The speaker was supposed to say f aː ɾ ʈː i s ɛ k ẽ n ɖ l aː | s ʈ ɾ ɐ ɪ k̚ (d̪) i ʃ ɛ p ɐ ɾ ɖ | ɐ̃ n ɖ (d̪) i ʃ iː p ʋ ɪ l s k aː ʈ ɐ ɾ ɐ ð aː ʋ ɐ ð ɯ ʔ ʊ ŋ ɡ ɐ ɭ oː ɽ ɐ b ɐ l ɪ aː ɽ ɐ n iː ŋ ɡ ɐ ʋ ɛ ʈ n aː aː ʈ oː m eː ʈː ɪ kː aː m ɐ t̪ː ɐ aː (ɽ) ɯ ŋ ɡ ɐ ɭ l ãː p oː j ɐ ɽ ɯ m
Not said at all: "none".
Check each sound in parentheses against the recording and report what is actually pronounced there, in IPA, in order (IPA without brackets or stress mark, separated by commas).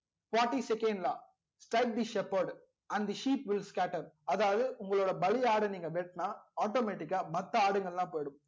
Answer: d̪, d̪, ɽ